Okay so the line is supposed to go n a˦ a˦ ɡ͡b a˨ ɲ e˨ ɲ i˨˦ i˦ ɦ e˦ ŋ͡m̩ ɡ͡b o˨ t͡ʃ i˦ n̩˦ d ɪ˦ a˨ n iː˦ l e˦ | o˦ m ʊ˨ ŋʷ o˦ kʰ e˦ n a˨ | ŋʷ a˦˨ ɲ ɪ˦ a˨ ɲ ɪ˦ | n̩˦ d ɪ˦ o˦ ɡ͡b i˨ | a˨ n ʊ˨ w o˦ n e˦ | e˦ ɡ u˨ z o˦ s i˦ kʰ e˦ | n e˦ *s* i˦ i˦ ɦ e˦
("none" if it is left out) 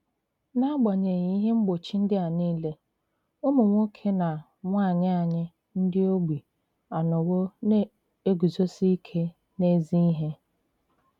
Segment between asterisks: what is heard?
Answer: z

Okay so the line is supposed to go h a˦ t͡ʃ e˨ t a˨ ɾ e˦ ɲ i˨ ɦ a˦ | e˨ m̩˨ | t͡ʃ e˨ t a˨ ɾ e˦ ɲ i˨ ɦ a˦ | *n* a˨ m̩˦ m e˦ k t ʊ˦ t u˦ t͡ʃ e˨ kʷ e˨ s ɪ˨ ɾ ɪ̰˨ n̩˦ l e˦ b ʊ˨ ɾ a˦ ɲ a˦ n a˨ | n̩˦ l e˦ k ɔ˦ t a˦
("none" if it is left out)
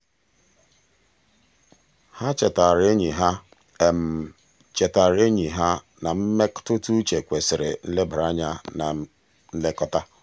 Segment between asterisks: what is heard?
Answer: n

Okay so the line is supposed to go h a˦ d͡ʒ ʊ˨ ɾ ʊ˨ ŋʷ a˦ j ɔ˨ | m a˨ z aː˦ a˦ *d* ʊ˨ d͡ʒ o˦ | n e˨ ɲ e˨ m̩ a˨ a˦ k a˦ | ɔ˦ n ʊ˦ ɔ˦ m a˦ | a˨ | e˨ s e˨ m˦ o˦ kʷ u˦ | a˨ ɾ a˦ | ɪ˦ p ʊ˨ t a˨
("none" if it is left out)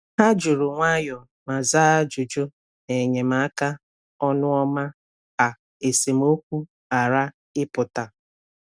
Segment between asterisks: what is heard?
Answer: d͡ʒ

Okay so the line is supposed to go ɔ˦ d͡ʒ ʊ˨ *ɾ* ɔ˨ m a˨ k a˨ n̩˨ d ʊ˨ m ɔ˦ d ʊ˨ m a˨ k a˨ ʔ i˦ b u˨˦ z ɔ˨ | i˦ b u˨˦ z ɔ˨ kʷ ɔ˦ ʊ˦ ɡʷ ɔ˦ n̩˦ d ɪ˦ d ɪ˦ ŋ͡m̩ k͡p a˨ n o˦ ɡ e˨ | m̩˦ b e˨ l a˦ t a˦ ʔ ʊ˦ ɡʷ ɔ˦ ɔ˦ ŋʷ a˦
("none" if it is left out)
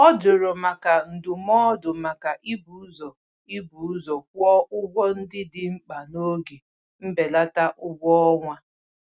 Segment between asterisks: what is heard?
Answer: ɾ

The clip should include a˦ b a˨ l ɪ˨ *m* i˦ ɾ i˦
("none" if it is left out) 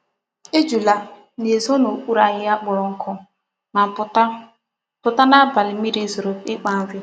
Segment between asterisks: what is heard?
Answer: m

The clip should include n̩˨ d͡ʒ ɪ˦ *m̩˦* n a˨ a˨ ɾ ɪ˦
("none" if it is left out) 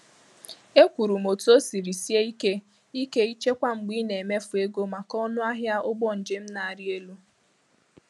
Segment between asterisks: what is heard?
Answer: m̩˦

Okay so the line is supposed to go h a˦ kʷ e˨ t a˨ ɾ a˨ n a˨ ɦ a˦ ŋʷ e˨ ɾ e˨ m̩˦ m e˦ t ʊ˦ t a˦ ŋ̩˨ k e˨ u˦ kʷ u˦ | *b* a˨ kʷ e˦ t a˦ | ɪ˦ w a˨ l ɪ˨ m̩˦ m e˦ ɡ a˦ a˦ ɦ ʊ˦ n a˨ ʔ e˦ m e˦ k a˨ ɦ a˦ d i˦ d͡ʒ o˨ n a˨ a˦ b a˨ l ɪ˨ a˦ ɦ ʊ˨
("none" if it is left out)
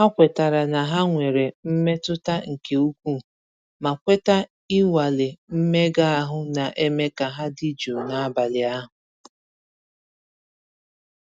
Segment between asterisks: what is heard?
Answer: m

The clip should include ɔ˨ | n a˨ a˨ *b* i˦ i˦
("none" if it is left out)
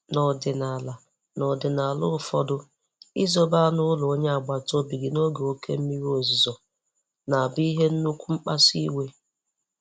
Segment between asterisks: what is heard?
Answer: b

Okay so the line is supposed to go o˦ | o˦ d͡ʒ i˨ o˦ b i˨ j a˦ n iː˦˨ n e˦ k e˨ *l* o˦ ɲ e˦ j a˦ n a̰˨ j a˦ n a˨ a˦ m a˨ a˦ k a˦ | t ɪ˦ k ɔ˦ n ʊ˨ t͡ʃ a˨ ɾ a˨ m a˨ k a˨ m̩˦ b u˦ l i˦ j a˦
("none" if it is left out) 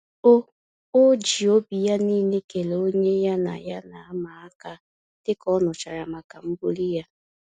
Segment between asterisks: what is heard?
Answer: l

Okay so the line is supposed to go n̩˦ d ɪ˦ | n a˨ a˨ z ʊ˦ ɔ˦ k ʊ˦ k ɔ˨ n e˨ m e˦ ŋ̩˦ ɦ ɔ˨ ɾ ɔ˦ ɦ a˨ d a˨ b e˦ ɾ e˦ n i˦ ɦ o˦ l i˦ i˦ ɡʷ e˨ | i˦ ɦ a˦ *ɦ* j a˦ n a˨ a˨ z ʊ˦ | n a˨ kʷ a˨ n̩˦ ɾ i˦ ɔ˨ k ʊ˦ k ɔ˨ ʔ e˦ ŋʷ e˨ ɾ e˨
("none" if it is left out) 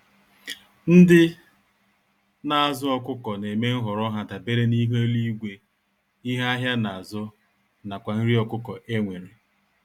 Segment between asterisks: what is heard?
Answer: ɦ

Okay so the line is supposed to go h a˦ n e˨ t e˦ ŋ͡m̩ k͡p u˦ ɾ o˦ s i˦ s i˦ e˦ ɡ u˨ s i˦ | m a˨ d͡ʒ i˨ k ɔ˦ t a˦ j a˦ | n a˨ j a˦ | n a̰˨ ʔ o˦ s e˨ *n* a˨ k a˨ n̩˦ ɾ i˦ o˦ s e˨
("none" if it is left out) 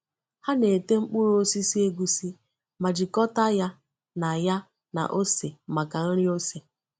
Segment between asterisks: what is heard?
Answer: m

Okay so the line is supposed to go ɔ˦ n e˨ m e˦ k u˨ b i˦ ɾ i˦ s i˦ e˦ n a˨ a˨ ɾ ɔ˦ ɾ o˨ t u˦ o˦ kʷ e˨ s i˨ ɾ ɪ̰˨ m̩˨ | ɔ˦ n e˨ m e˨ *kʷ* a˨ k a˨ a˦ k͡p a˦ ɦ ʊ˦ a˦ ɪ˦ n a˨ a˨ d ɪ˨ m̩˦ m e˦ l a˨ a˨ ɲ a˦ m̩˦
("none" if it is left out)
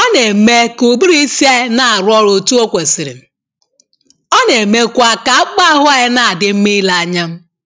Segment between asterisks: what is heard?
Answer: kʷ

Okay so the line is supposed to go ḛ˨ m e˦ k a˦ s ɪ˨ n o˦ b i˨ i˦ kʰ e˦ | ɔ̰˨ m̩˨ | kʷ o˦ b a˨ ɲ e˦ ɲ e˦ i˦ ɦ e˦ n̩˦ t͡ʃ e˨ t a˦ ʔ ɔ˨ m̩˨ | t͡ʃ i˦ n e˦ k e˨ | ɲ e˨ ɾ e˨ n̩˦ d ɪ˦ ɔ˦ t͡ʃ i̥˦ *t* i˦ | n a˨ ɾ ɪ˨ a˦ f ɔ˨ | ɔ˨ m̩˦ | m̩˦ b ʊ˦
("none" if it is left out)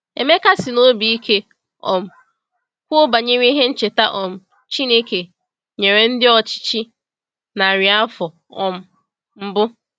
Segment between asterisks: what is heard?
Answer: t͡ʃ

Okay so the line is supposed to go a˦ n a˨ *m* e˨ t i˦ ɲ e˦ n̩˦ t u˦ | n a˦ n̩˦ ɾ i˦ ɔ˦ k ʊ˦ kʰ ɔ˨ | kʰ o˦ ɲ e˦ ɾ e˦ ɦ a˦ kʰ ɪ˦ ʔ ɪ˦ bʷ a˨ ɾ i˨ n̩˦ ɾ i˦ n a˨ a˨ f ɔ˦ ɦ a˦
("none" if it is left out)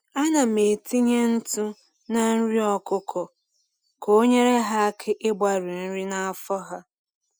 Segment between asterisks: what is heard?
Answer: m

